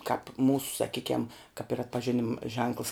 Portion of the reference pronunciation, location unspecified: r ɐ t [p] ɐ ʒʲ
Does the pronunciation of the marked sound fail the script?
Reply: no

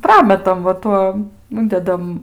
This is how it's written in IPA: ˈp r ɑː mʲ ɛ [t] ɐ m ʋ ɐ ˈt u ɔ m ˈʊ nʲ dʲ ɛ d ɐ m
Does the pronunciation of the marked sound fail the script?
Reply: no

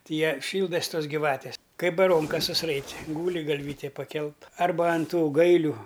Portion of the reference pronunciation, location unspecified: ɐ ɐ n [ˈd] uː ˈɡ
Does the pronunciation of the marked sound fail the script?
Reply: yes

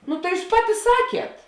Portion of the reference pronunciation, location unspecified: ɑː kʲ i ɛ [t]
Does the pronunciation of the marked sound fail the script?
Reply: no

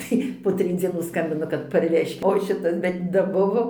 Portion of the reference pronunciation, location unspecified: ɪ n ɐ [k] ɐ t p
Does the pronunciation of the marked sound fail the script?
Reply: no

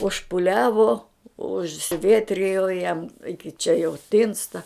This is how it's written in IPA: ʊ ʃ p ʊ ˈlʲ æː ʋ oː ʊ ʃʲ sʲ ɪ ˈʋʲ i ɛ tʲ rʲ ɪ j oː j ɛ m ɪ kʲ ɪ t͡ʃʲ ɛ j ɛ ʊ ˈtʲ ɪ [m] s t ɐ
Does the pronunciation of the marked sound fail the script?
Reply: yes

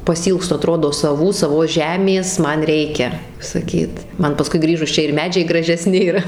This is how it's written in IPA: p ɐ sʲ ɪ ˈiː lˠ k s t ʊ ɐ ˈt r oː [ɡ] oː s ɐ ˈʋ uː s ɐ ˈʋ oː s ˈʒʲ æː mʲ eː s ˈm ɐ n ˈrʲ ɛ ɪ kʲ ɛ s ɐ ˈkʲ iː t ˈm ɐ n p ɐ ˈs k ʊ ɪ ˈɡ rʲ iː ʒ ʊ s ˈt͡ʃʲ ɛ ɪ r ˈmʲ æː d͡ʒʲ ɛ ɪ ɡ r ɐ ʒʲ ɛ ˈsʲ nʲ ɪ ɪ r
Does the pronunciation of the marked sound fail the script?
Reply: yes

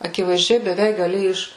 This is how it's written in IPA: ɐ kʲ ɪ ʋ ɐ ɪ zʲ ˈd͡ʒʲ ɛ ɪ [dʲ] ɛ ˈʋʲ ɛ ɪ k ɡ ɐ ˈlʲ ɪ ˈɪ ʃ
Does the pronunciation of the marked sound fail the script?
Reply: yes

